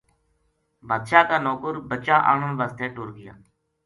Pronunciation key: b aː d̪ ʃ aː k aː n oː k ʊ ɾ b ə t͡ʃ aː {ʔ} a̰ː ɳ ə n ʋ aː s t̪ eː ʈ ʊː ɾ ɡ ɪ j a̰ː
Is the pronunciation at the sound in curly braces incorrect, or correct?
correct